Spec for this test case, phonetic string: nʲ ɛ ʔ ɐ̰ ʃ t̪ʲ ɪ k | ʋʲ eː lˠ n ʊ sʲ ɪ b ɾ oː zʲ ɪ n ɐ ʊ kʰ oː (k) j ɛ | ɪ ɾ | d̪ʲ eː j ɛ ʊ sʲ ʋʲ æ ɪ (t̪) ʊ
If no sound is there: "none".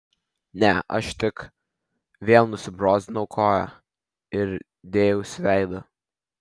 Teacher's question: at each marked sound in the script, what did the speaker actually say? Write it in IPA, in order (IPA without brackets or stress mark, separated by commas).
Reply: none, d̪